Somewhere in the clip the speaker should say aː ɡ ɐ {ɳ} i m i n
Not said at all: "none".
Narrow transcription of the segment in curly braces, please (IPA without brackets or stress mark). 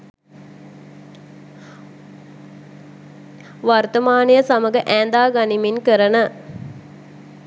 n